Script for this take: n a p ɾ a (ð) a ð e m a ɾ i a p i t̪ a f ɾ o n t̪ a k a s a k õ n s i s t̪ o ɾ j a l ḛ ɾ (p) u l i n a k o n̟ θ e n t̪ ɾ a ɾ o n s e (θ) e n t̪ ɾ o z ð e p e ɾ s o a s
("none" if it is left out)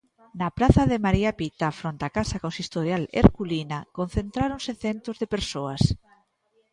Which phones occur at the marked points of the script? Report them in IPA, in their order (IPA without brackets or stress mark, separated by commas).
θ, k, θ